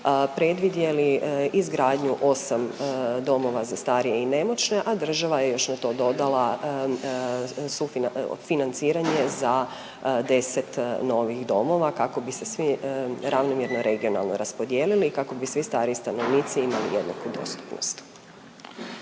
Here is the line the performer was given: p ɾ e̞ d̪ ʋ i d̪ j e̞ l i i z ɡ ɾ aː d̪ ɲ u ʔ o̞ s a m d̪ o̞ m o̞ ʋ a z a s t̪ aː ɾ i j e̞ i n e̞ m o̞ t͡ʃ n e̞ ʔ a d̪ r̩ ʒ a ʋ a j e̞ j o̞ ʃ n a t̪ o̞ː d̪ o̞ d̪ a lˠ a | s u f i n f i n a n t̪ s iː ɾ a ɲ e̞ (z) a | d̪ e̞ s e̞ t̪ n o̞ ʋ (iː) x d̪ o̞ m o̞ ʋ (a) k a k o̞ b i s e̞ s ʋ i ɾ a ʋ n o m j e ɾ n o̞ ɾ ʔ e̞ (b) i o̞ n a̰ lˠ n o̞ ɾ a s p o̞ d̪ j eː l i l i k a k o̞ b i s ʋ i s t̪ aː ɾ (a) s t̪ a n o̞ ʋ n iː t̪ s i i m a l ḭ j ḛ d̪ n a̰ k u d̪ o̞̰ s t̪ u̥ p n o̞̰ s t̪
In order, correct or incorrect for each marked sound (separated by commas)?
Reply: correct, incorrect, correct, incorrect, incorrect